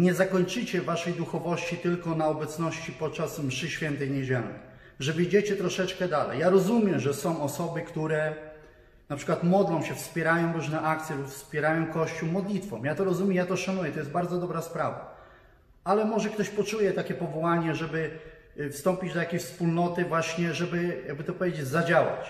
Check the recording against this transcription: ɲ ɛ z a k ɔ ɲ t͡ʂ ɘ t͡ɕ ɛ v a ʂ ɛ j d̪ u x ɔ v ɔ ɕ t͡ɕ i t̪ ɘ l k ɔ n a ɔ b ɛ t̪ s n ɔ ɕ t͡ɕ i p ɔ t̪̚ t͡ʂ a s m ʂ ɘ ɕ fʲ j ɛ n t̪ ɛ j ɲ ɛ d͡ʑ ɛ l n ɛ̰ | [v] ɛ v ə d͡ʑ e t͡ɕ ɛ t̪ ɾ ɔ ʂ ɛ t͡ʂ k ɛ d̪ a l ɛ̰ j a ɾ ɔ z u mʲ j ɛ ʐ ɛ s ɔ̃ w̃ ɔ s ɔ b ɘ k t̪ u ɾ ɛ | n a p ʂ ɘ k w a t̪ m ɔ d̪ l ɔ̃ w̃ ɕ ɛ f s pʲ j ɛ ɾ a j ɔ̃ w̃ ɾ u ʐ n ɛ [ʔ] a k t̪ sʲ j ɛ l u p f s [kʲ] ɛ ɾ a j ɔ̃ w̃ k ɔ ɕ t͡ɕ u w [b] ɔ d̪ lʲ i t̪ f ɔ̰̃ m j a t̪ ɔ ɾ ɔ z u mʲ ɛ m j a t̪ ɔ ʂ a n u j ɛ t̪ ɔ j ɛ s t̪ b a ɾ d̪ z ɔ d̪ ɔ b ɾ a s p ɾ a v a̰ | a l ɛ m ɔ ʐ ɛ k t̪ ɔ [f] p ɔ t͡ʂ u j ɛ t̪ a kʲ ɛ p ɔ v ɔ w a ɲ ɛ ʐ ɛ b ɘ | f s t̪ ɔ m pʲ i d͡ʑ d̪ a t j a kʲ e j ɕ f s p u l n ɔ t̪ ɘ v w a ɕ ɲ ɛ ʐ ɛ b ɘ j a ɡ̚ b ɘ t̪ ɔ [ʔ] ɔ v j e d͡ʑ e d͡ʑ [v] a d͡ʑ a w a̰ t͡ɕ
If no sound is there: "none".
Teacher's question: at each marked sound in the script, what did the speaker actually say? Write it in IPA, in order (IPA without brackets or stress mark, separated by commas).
ʐ, ʔ, pʲ, m, ɕ, p, z